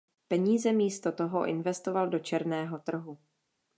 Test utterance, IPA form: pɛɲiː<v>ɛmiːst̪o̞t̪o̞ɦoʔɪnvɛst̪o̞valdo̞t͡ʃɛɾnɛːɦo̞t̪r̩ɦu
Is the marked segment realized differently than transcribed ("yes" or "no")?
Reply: yes